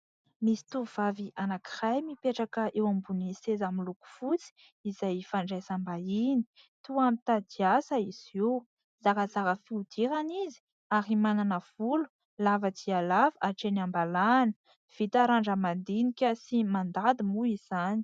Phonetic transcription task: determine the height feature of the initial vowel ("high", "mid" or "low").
high